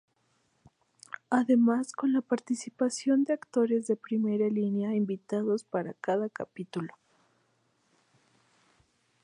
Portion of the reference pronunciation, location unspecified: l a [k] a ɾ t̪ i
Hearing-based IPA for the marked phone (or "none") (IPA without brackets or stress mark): p